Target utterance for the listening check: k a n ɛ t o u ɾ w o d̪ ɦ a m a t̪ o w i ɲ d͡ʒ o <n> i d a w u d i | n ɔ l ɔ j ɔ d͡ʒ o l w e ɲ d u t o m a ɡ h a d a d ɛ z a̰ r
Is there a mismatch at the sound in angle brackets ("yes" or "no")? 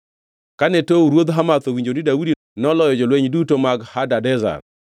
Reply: no